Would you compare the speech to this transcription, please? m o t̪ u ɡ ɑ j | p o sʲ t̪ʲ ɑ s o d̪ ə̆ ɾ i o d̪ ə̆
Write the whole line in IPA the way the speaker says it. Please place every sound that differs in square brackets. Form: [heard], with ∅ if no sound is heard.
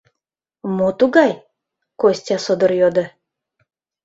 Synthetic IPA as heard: m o t̪ u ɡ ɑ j | [k] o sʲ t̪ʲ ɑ s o d̪ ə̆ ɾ [j] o d̪ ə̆